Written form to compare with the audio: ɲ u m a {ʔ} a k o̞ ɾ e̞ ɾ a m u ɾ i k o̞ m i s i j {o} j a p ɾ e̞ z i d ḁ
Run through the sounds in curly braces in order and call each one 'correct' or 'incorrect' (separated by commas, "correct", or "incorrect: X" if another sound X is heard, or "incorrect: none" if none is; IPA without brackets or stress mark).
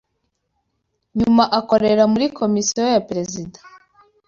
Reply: correct, correct